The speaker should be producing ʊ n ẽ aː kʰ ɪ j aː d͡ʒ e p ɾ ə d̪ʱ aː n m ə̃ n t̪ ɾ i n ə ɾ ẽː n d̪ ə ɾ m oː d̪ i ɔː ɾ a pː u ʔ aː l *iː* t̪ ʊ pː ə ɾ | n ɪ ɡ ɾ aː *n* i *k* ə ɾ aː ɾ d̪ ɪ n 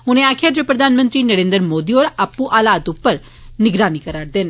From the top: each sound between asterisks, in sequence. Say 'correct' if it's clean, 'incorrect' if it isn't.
incorrect: aː, correct, correct

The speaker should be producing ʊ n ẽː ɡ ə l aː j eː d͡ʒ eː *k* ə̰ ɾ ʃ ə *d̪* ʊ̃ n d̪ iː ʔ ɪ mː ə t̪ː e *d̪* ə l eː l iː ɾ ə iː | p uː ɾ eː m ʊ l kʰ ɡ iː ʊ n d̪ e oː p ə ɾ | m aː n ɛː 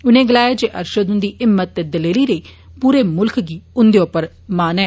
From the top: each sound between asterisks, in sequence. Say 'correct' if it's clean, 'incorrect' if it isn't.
incorrect: ʔ, correct, correct

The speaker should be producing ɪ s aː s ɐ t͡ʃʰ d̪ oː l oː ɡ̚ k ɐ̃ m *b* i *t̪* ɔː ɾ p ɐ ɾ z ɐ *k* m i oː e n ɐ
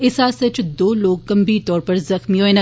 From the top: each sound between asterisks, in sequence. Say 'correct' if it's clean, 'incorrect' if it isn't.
correct, correct, incorrect: x

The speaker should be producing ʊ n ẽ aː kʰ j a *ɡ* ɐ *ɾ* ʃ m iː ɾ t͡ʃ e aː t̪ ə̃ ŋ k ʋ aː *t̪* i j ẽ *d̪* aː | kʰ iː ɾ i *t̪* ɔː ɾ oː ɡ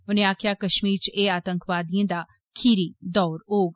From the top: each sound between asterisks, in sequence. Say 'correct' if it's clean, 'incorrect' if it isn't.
incorrect: k, incorrect: none, incorrect: d̪, correct, incorrect: d̪

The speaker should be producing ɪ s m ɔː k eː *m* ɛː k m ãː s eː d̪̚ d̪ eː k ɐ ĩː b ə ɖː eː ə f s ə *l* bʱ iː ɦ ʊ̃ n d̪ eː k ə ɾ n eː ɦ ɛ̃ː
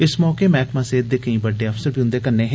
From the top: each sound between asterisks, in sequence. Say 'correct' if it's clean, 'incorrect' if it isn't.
correct, incorrect: ɾ

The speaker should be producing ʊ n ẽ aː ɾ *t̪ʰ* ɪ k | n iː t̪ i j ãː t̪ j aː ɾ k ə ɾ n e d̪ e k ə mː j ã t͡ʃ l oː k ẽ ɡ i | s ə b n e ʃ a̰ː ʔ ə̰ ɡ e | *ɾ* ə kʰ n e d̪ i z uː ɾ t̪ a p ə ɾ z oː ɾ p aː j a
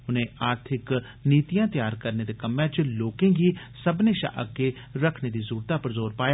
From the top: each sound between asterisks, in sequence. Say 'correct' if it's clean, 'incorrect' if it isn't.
correct, correct

